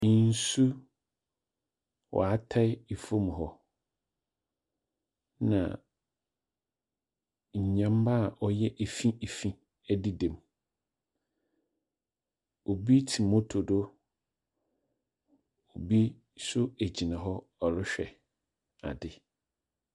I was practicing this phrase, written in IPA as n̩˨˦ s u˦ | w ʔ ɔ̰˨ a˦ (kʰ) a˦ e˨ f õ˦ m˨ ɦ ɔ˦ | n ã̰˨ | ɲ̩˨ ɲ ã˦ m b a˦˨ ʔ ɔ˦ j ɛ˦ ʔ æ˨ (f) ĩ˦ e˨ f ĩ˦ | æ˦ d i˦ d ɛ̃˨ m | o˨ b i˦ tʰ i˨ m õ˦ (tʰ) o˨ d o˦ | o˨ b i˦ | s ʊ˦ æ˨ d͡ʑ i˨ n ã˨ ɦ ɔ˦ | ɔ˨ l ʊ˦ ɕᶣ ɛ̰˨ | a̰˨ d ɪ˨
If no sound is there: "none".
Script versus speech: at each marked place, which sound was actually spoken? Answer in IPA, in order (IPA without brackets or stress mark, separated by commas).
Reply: tʰ, f, tʰ